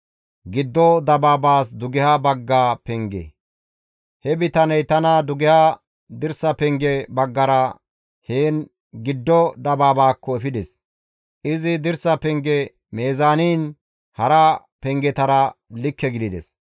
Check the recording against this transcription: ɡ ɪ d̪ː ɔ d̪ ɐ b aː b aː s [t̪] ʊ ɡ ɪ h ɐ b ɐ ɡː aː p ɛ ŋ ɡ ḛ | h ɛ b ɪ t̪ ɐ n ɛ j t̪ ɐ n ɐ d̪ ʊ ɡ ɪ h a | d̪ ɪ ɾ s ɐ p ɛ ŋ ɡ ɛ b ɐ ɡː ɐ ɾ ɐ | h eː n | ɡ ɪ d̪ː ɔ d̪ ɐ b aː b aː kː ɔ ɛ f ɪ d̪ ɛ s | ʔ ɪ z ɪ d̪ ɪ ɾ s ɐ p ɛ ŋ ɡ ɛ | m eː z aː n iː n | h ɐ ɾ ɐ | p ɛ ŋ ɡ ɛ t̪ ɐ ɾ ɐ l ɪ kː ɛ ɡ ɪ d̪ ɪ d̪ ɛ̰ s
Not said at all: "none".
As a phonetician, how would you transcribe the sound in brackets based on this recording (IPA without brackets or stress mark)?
d̪